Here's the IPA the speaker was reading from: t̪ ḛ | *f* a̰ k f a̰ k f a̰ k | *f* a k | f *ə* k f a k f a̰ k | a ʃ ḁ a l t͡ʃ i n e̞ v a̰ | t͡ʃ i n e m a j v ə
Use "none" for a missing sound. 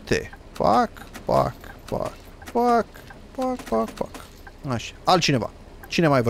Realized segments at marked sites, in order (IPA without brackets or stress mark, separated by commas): f, f, a